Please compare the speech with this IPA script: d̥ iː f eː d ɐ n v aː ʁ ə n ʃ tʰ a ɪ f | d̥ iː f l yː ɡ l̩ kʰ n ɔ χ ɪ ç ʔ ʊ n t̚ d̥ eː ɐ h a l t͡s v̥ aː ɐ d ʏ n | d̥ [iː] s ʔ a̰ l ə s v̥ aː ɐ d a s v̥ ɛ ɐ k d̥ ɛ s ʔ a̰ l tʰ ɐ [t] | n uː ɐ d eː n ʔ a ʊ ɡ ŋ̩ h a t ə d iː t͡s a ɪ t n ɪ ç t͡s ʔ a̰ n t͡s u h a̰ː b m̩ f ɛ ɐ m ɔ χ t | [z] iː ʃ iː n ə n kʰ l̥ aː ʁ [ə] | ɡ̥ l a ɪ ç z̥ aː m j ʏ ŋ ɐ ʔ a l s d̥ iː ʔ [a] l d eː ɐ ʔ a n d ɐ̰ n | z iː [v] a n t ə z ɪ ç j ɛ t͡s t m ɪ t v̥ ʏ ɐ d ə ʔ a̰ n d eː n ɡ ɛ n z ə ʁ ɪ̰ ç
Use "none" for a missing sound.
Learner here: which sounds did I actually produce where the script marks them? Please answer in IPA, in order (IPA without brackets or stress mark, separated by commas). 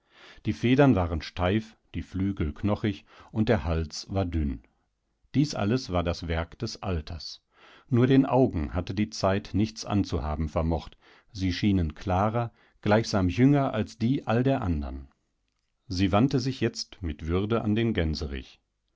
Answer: iː, s, z, ɐ, a, v